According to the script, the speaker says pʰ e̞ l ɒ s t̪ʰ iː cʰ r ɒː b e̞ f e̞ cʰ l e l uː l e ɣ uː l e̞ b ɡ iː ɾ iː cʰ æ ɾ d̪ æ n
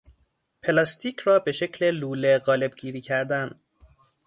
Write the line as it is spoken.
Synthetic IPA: pʰ e̞ l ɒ s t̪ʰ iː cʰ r ɒː b e̞ ʃ e̞ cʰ l e l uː l e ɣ ɒː l e̞ b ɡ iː ɾ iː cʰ æ ɾ d̪ æ n